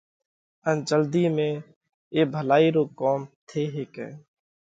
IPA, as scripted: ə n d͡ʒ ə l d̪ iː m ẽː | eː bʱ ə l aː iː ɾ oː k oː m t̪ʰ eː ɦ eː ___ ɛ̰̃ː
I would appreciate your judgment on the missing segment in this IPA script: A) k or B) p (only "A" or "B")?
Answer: A